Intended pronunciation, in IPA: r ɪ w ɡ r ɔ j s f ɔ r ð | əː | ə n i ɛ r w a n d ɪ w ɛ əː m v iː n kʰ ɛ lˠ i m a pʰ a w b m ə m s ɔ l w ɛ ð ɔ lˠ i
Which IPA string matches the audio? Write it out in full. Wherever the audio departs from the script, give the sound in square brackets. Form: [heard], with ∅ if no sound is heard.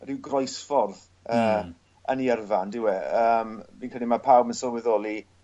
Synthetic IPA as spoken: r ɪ w ɡ r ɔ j s f ɔ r ð | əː | ə n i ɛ r [v] a n d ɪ w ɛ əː m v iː n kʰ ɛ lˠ i m a pʰ a w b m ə [n] s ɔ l w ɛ ð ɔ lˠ i